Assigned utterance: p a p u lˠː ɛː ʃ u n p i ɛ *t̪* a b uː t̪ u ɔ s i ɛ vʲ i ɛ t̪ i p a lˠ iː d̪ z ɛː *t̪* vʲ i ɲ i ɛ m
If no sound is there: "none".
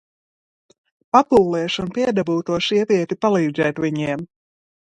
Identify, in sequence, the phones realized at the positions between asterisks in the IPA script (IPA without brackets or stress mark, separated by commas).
d̪, t̪